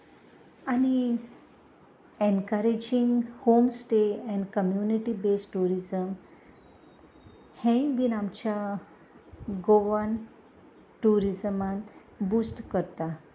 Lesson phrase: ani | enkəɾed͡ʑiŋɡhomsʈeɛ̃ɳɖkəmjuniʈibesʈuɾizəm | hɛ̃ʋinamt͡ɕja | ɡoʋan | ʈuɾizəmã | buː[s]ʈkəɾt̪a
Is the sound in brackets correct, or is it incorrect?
correct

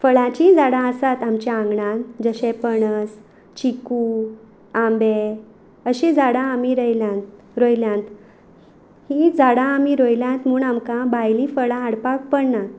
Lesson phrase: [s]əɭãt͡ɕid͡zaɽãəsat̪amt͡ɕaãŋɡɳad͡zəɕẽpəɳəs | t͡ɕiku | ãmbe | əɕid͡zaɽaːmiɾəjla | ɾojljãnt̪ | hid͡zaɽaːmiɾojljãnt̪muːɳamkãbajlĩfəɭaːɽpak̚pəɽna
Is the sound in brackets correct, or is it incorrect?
incorrect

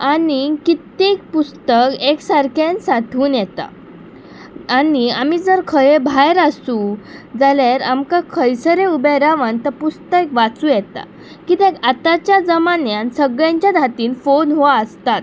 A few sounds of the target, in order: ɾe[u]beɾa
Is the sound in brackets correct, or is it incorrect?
correct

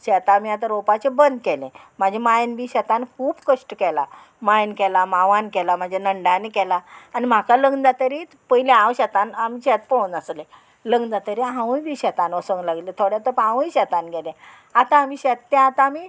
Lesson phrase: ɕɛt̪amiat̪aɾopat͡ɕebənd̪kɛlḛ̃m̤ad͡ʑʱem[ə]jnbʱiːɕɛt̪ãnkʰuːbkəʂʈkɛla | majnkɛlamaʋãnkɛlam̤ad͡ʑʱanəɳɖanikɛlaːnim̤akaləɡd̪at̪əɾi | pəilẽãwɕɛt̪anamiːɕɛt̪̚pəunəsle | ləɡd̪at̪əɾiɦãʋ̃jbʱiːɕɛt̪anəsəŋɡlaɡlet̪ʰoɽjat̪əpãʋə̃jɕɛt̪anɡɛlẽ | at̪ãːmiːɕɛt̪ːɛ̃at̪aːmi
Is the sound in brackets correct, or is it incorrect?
incorrect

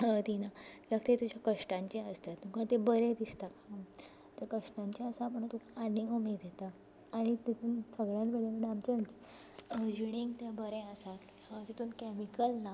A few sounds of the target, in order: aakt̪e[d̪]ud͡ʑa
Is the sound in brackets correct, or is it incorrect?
incorrect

